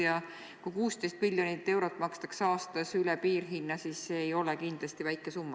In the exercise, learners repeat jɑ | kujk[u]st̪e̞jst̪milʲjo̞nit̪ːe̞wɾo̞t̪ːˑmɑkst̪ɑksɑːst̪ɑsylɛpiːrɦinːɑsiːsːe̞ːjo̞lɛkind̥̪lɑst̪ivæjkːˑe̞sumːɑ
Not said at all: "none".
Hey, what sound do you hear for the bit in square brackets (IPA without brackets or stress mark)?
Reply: uː